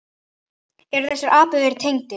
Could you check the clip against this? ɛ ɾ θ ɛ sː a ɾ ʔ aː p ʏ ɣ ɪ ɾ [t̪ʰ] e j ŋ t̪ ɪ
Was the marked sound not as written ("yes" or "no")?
no